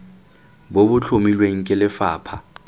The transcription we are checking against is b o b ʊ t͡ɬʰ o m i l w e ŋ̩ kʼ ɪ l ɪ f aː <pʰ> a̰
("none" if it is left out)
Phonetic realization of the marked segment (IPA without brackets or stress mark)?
pʰ